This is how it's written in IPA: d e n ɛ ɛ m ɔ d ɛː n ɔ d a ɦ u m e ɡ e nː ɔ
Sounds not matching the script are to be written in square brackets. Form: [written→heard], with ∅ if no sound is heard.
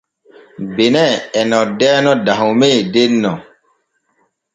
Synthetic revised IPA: [d→b] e n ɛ ɛ [m→n] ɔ d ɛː n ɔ d a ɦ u m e [ɡ→d] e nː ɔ